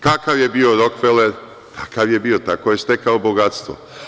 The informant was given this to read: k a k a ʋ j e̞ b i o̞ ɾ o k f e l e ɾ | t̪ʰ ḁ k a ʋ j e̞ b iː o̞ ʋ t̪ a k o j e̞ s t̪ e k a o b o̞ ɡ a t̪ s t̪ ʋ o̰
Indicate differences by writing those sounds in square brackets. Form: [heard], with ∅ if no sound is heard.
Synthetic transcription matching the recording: k a k a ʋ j e̞ b i o̞ ɾ o k f e l e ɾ | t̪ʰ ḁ k a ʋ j e̞ b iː o̞ [∅] t̪ a k o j e̞ s t̪ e k a o b o̞ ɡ a t̪ s t̪ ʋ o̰